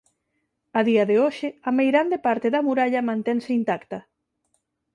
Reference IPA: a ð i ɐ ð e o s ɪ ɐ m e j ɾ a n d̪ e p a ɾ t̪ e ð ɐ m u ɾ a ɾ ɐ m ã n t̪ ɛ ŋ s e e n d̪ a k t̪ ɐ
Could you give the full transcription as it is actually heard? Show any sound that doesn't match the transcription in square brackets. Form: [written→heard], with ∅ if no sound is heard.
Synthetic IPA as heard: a ð i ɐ ð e o [s→ʃ] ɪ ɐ m e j ɾ a n d̪ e p a ɾ t̪ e ð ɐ m u ɾ a [ɾ→ʎ] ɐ m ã n t̪ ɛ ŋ s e [e→i] n [d̪→t̪] a k t̪ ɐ